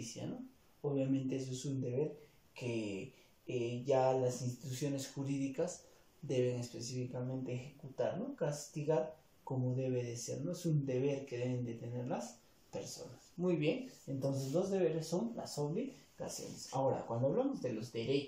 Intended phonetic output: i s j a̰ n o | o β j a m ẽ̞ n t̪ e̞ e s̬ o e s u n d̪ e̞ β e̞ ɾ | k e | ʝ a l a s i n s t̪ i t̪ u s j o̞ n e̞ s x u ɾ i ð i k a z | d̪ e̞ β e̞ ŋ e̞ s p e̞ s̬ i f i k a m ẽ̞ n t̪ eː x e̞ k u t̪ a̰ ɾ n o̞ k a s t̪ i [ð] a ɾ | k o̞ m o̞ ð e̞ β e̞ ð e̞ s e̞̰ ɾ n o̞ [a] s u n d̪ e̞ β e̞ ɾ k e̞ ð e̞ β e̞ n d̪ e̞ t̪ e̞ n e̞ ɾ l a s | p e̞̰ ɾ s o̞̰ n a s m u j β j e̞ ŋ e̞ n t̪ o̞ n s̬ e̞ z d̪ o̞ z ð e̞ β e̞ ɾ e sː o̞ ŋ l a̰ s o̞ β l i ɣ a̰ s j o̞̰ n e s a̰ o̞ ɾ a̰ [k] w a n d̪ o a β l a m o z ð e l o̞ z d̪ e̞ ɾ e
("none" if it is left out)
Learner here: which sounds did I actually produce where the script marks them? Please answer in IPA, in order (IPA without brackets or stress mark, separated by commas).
ɣ, e, k